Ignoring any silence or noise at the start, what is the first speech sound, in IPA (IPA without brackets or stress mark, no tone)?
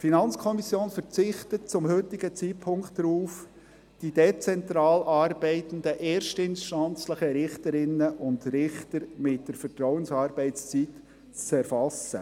f